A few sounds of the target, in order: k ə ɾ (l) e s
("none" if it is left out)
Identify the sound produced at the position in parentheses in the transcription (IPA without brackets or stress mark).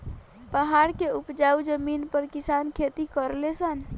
l